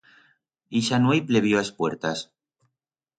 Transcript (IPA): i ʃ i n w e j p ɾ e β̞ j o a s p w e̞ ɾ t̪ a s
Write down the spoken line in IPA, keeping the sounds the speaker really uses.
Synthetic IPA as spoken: i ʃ a n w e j p l e β̞ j o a s p w e̞ ɾ t̪ a s

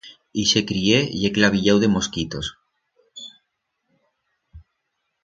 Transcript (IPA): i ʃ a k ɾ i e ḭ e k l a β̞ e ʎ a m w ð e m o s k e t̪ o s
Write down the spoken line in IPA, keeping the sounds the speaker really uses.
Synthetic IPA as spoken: i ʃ e k ɾ i e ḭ e k l a β̞ i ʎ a w ð e m o s k i t̪ o s

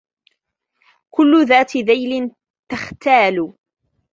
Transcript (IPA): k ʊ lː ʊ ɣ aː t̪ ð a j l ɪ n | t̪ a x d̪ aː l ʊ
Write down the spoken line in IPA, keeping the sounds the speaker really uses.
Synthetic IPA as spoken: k ʊ lː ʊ ð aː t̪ ð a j l ɪ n | t̪ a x t̪ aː l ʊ

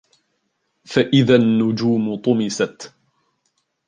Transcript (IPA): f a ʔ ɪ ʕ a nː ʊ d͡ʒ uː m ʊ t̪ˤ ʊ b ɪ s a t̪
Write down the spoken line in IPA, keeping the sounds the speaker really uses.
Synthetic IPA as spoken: f a ʔ ɪ ð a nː ʊ d͡ʒ uː m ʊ t̪ˤ ʊ m ɪ s a t̪

